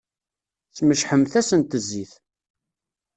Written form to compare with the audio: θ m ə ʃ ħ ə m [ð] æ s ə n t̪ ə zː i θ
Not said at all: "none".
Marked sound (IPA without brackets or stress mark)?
θ